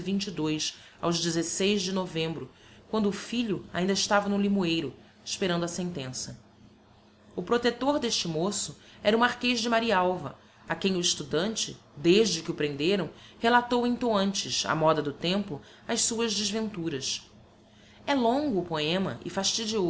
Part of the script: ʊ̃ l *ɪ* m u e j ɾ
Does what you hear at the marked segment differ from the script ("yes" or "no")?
yes